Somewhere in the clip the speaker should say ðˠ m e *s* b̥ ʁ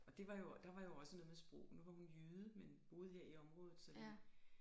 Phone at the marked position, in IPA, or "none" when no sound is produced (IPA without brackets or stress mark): s